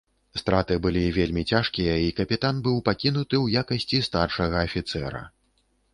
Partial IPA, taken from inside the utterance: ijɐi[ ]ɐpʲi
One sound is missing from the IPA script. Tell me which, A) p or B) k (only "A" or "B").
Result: B